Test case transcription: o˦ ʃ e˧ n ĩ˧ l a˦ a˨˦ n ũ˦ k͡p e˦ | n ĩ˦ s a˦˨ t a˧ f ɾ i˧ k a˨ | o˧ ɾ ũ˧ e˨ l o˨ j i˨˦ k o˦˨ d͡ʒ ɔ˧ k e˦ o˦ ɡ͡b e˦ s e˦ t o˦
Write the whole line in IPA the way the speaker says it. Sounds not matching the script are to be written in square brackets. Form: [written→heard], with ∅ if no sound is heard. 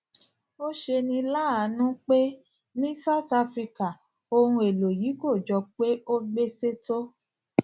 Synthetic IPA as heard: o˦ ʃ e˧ n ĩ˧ l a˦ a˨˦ n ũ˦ k͡p e˦ | n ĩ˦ s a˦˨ t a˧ f ɾ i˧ k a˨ | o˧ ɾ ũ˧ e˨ l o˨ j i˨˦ k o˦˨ d͡ʒ ɔ˧ [k→k͡p] e˦ o˦ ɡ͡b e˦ s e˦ t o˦

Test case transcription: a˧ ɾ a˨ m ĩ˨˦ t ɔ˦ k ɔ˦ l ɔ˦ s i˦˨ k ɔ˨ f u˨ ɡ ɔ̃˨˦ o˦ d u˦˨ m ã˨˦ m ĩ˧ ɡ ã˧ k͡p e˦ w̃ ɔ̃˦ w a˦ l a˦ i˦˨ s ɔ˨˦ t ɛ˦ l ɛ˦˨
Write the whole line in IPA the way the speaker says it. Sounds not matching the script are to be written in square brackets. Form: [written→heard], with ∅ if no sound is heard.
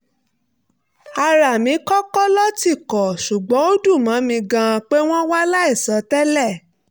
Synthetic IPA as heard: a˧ ɾ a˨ m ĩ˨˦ [t→k] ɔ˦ k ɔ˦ l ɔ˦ [s→t] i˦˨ k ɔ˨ [f→ʃ] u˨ [ɡ→ɡ͡b] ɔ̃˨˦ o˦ d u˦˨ m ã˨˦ m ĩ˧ ɡ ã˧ k͡p e˦ w̃ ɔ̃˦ w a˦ l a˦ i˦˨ s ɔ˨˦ t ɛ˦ l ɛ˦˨

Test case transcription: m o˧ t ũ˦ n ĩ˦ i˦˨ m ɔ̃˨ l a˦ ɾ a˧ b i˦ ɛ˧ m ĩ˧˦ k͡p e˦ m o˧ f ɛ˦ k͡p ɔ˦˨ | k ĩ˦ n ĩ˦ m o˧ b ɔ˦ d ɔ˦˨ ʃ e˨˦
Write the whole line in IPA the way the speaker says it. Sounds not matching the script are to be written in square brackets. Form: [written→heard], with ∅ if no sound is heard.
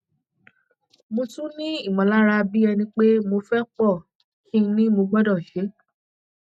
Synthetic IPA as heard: m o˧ t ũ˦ n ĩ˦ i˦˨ m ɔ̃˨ l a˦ ɾ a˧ b i˦ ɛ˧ [m→n] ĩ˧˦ k͡p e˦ m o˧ f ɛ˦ k͡p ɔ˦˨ | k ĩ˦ n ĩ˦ m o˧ [b→ɡ͡b] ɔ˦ d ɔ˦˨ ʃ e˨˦

